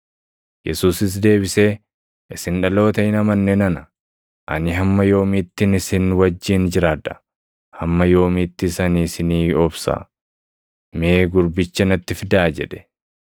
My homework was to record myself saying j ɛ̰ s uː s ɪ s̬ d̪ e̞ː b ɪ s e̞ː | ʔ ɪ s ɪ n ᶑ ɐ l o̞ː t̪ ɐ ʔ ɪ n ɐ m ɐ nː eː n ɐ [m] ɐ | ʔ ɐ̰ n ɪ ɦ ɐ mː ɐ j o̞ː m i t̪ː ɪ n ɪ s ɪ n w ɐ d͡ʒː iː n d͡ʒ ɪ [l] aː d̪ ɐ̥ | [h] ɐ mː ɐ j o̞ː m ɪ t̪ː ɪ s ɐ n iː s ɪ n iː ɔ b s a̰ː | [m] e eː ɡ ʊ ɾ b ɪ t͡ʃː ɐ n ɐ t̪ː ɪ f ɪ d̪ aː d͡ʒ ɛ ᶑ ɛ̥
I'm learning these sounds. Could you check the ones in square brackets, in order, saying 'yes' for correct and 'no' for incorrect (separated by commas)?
no, no, yes, yes